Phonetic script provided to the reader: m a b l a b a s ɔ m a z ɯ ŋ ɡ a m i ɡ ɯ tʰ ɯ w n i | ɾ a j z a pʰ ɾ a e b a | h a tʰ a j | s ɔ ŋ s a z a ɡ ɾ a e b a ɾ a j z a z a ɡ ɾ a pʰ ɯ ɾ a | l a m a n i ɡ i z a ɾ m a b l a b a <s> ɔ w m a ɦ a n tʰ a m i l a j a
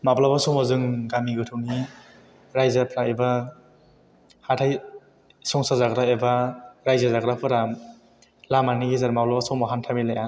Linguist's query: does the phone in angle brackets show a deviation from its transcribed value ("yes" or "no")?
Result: no